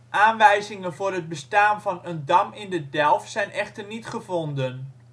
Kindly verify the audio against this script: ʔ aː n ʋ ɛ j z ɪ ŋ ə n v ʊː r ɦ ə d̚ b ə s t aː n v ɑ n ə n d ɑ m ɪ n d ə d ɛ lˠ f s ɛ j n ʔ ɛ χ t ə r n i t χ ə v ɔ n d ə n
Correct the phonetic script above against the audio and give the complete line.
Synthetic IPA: ʔ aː n ʋ ɛ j z ɪ ŋ ə n v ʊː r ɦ ə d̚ b ə s t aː n v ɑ n ə n d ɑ m ɪ n d ə d ɛ lˠ f s ɛ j n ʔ ɛ χ t ə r n i t χ ə v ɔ n d ə n